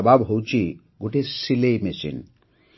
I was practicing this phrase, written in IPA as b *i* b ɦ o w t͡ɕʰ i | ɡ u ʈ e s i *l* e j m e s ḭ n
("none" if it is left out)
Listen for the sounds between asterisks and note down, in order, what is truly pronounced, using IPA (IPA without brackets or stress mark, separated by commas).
a, l